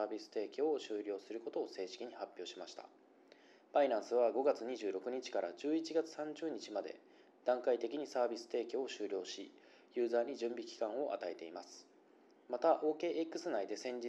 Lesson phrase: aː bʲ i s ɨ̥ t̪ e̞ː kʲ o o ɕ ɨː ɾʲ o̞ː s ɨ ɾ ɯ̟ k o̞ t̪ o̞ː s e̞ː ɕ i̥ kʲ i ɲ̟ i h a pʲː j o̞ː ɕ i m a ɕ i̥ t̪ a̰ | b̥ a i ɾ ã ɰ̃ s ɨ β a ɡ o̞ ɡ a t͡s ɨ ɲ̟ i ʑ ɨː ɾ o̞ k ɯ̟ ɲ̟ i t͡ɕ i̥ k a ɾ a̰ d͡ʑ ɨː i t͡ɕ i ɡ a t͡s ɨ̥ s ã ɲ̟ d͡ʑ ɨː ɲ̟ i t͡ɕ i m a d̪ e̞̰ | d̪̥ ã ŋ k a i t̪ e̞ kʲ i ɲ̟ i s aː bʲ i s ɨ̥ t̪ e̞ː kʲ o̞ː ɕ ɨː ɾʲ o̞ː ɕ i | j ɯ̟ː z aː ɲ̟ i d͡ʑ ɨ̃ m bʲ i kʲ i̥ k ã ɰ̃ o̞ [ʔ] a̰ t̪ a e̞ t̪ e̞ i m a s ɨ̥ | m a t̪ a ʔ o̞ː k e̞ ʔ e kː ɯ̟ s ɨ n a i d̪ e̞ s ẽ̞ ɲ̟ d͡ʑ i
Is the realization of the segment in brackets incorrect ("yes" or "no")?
no